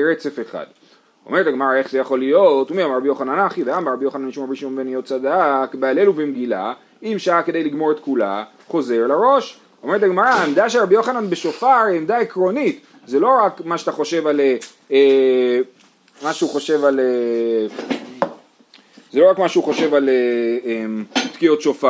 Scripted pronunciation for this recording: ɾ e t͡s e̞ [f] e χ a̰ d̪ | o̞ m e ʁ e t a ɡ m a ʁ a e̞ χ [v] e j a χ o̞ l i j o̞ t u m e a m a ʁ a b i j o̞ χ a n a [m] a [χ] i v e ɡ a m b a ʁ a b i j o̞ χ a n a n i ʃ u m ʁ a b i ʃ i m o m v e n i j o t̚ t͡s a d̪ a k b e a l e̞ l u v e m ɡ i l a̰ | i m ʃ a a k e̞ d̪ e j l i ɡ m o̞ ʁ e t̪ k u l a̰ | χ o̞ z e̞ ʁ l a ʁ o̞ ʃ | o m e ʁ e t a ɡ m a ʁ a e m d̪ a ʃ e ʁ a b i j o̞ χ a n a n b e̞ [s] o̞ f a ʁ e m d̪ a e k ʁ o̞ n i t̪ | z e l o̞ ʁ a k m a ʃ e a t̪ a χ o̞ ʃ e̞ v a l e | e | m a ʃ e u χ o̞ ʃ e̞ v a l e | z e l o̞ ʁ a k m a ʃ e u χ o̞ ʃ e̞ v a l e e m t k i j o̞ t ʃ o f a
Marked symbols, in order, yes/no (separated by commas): yes, no, no, yes, no